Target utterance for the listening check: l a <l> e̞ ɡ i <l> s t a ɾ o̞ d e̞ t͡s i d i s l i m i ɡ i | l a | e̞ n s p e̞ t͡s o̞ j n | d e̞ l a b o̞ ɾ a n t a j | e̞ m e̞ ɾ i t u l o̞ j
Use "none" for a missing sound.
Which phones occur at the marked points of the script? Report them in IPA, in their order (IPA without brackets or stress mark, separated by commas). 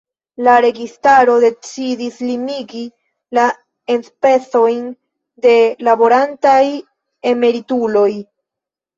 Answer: ɾ, none